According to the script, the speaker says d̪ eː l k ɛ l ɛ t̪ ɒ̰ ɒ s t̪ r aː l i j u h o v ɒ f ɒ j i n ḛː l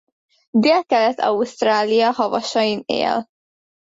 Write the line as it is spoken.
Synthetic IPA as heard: d̪ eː l k ɛ l ɛ t̪ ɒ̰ u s t̪ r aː l i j ɒ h ɒ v ɒ ʃ ɒ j i n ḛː l